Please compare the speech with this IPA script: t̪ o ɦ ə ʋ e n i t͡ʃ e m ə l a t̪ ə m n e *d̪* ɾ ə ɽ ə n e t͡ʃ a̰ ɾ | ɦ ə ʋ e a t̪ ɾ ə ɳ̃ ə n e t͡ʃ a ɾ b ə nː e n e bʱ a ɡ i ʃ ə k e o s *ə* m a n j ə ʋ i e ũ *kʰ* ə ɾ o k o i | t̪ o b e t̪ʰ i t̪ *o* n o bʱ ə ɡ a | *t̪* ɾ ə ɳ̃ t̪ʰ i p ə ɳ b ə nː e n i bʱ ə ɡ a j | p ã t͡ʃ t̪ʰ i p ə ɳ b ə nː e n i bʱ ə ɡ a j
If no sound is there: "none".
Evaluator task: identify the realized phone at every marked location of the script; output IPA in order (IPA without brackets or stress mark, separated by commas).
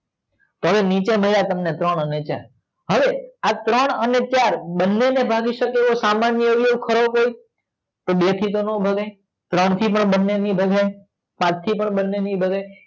t̪, a, kʰ, o, t̪